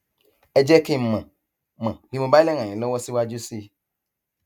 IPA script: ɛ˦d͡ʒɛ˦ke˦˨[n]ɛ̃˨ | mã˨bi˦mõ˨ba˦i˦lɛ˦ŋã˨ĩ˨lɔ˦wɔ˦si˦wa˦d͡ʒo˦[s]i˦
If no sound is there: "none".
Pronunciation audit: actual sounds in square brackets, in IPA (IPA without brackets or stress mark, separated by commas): m, s